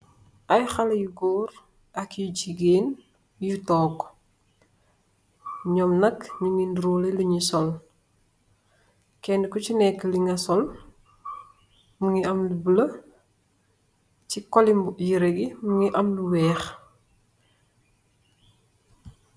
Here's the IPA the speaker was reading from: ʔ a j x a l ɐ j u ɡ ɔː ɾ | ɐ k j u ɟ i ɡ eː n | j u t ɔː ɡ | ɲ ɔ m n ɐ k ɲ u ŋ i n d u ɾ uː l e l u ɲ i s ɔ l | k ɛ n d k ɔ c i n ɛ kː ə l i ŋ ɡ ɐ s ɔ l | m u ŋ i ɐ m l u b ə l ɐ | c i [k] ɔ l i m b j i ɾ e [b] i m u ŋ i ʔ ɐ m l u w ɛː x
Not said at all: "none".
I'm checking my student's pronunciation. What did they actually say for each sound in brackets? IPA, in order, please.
k, ɡ

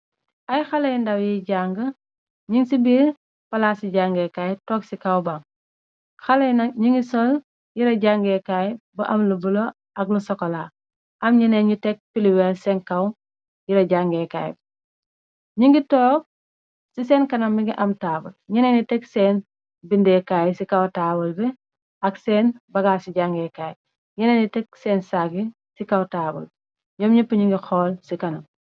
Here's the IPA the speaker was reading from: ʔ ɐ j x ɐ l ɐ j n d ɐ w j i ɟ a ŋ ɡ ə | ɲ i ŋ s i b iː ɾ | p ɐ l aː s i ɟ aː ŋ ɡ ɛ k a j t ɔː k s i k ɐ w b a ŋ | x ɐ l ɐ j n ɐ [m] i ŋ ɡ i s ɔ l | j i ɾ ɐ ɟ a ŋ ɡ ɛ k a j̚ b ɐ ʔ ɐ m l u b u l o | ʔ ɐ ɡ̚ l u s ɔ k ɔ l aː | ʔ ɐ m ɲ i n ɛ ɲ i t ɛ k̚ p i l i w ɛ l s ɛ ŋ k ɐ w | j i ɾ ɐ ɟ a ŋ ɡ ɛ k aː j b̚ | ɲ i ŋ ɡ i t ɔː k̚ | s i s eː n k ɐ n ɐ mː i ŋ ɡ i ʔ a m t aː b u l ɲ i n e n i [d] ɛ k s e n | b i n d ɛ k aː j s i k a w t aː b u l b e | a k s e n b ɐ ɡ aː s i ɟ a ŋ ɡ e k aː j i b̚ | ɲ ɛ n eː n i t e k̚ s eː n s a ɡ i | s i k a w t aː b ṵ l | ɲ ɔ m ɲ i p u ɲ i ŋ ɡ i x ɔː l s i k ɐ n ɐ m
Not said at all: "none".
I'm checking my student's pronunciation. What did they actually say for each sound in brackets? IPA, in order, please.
ɲ, t

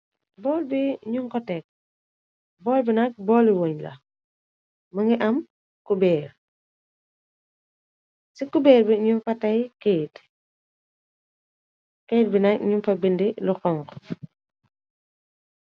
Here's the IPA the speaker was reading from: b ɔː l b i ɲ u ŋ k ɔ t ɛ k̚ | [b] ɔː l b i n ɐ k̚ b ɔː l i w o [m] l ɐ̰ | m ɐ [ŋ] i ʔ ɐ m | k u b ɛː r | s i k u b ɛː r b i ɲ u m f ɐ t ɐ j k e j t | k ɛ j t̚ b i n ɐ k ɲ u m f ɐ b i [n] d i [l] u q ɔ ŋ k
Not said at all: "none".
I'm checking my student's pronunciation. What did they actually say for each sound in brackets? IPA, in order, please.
b, ɲ, ŋ, n, l

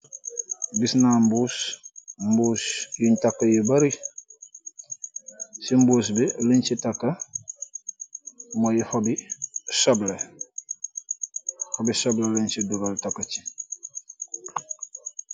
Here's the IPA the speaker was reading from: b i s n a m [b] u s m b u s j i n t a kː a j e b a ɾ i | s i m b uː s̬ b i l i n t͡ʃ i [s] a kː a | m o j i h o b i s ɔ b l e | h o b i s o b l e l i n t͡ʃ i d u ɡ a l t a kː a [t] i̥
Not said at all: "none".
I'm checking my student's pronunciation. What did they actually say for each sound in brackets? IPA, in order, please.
b, t, t͡ʃ

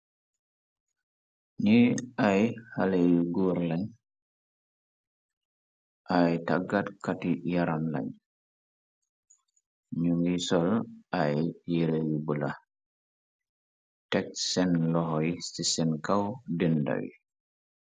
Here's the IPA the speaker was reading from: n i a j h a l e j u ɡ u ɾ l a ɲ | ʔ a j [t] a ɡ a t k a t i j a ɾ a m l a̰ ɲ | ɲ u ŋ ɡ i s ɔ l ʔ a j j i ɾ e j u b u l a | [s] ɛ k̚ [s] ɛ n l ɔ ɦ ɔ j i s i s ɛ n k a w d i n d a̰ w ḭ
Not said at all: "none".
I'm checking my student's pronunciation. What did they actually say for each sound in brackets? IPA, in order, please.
t, t, s

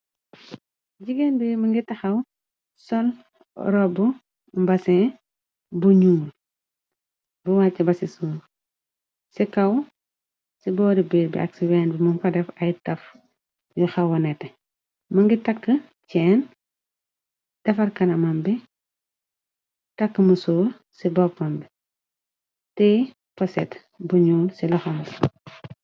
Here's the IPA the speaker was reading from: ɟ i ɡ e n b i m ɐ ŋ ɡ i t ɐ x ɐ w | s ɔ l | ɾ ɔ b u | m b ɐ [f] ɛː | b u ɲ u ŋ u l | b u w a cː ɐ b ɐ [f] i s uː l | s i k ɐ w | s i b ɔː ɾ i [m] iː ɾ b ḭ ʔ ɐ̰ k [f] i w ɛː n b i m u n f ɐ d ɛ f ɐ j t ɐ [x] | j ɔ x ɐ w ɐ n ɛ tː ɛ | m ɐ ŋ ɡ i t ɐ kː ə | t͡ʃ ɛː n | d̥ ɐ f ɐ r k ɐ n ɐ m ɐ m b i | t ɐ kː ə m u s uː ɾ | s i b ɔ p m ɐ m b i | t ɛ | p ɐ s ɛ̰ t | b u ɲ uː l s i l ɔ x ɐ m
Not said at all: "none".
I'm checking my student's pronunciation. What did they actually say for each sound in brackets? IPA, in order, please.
s, s, b, s, f

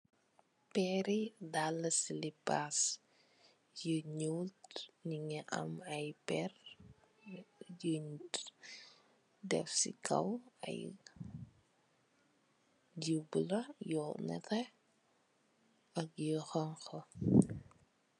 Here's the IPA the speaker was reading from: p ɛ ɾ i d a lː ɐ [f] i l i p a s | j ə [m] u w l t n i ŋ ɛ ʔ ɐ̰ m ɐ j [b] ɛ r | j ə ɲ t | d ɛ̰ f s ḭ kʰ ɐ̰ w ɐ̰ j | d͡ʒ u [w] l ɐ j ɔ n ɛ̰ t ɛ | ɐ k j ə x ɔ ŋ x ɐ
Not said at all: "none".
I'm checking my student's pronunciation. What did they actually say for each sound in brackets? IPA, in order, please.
s, ɲ, p, b

